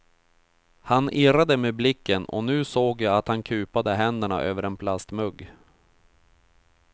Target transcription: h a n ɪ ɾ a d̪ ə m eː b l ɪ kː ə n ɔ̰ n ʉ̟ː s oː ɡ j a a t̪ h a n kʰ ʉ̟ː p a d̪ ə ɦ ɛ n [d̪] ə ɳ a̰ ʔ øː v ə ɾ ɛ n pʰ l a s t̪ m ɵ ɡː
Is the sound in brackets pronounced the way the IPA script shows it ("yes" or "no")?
yes